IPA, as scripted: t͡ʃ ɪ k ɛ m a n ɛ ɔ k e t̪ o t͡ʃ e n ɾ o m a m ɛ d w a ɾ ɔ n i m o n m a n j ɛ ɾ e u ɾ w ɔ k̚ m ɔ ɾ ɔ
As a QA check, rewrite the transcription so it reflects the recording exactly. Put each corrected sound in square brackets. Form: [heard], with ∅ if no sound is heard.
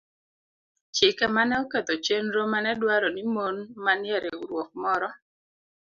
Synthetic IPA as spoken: t͡ʃ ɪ k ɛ m a n ɛ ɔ k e t̪ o t͡ʃ e n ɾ o m a [n] ɛ d w a ɾ ɔ n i m o n m a n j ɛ ɾ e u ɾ w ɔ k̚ m ɔ ɾ ɔ

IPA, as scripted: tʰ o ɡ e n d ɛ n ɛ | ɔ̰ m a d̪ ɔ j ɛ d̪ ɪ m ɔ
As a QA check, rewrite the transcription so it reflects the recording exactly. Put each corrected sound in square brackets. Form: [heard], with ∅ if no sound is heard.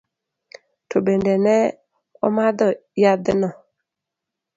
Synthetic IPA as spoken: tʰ o [b] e n d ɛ n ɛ | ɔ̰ m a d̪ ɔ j [a] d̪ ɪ [n] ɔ

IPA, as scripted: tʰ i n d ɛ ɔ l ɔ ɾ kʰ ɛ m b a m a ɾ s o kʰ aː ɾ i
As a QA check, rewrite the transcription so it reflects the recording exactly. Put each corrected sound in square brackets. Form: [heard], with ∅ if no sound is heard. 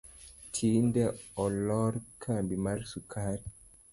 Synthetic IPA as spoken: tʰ i n d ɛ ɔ l ɔ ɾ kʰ [a] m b [i] m a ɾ s [u] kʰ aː ɾ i

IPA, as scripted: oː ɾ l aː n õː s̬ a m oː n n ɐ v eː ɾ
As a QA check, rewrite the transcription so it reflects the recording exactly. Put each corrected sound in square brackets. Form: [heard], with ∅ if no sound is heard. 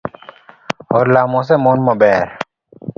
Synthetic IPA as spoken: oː ɾ l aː [m] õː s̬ [e] m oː n [m] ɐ [b] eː ɾ

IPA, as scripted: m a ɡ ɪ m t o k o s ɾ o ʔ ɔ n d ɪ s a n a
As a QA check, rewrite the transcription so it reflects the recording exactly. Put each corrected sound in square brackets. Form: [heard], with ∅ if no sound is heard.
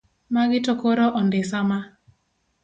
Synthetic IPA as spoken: m a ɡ ɪ [∅] t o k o [∅] ɾ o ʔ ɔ n d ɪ s a [m] a

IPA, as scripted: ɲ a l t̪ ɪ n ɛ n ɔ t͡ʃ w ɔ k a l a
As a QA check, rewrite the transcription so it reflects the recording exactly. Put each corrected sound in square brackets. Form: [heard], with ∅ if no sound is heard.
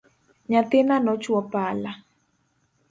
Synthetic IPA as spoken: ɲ a [∅] t̪ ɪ n [a] n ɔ t͡ʃ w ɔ [p] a l a

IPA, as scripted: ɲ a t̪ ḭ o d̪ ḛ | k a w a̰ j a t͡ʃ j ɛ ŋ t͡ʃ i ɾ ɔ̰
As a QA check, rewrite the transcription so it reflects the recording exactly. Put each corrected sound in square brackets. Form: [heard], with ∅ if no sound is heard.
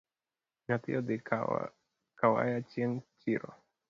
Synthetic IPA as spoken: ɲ a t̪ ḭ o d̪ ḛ | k a w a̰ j a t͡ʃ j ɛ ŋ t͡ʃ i ɾ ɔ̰

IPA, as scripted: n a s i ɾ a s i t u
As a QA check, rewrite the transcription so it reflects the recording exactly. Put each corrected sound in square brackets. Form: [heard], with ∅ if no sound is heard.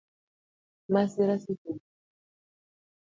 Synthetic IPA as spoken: [m] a s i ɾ a s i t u

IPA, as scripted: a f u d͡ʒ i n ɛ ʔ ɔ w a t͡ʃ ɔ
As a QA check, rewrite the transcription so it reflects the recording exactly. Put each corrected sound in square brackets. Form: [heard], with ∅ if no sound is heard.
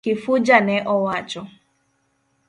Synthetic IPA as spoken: [i] f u d͡ʒ [a] n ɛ ʔ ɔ w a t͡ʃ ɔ

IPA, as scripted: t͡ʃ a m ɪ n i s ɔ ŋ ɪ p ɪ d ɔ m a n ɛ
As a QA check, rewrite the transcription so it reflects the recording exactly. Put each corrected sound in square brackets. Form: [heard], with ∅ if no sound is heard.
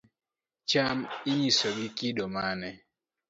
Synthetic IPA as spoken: t͡ʃ a m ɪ [ɲ] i s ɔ [ɡ] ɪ [k] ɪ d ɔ m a n ɛ

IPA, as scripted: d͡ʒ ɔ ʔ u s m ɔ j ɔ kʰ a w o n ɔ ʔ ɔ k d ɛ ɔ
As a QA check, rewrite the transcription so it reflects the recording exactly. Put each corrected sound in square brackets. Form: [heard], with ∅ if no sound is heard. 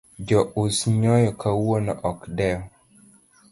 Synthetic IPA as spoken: d͡ʒ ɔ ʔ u s [ɲ] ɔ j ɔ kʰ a w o n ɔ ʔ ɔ k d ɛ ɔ

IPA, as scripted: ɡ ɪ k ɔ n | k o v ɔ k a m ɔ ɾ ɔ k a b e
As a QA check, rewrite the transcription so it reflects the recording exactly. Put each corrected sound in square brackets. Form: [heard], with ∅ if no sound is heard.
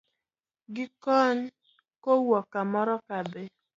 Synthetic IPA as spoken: ɡ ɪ k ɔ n | k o [w] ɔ k a m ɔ ɾ ɔ k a b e

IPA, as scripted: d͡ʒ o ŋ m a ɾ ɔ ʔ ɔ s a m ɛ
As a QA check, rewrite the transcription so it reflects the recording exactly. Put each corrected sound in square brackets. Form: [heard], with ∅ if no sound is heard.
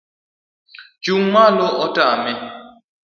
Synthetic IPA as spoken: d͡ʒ [u] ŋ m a [l] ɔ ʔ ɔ [t] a m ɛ

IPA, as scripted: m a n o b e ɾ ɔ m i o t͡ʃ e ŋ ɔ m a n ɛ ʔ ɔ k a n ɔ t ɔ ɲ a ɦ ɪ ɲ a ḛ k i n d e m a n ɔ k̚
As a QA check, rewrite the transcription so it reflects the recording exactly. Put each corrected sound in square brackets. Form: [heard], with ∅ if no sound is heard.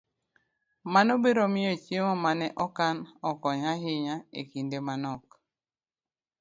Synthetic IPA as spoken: m a n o b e ɾ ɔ m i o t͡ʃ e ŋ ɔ m a n ɛ ʔ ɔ k a n ɔ [k] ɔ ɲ a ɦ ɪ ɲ a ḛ k i n d e m a n ɔ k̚

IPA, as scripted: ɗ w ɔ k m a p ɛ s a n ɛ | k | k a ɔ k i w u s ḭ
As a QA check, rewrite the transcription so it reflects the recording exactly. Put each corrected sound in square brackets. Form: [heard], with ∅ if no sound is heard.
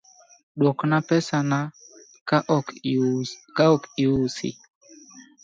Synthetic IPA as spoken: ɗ w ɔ k [n] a p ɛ s a n [a] | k | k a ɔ k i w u s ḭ

